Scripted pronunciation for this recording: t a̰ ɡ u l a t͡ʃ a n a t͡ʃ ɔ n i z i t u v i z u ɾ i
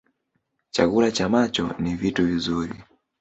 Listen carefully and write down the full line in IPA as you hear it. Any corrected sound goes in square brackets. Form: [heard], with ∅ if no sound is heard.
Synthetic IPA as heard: [t͡ʃ] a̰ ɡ u l a t͡ʃ a [m] a t͡ʃ ɔ n i [v] i t u v i z u ɾ i